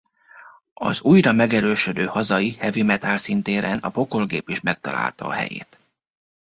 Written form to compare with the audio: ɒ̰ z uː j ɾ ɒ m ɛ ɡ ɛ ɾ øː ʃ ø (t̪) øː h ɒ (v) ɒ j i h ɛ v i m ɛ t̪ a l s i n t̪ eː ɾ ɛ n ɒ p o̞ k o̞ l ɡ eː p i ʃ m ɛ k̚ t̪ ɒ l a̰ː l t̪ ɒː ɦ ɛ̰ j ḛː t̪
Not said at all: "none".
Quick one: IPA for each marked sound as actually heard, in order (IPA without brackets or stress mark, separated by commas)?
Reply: d̪, z